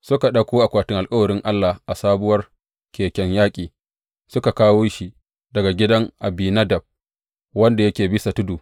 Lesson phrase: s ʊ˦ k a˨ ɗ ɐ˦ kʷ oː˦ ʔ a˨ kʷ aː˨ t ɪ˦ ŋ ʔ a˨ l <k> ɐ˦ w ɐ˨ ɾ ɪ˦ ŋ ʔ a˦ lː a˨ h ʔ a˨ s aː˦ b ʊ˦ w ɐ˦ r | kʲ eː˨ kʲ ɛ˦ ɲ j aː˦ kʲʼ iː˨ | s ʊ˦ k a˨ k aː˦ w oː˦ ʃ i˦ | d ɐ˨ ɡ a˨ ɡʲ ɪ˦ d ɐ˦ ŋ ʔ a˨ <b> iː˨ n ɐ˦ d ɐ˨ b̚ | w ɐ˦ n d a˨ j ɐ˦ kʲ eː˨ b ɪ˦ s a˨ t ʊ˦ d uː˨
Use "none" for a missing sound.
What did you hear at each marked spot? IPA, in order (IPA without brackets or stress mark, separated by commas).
kʼ, b